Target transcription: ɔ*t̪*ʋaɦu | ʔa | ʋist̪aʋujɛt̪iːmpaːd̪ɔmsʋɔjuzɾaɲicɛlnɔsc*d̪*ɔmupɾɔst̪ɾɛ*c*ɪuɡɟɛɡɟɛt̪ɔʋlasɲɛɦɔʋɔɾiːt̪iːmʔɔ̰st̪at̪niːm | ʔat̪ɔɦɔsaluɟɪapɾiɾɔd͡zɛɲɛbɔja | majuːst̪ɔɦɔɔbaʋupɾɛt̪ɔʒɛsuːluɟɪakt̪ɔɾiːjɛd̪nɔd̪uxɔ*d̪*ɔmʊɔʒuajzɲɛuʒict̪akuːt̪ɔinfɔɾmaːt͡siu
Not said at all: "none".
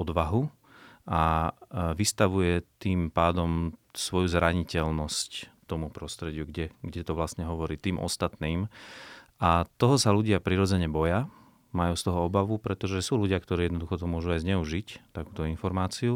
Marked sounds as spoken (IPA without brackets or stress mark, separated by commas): d̪, t̪, ɟ, t̪